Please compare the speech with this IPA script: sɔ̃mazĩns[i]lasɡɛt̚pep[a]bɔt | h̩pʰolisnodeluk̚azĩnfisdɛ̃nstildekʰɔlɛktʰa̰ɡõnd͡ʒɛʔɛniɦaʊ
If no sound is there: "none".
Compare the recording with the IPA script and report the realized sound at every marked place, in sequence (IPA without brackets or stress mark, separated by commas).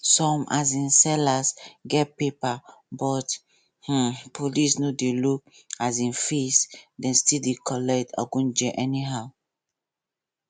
ɛ, a